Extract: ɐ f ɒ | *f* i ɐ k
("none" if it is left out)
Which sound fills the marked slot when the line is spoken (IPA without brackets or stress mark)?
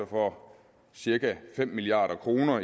s